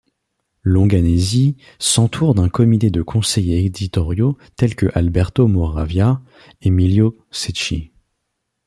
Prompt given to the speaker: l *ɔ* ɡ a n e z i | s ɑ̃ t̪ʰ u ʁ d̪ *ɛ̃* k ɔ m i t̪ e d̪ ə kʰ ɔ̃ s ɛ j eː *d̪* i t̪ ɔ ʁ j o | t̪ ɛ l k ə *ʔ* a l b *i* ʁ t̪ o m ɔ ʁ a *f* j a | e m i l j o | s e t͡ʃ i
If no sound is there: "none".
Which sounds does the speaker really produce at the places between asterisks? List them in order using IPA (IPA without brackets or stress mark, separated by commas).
ɔ̃, ɛ̃, d̪, ʔ, ɛ, v